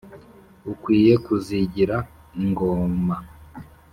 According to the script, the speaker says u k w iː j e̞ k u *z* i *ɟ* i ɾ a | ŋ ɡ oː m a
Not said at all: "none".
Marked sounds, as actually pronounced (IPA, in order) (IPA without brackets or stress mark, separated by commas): z, ɟ